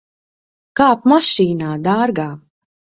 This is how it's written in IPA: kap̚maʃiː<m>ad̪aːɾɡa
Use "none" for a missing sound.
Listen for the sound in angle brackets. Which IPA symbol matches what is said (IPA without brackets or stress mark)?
n